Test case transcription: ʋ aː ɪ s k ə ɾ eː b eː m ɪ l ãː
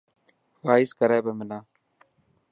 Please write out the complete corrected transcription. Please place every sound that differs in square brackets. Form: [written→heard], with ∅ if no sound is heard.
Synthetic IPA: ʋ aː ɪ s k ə ɾ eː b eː m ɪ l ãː